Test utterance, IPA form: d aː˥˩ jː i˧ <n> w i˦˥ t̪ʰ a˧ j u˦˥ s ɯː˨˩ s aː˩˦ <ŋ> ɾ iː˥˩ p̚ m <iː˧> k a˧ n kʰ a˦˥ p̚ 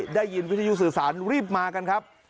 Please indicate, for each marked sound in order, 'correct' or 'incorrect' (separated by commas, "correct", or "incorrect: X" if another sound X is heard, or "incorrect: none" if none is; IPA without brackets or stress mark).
correct, incorrect: n, incorrect: aː˧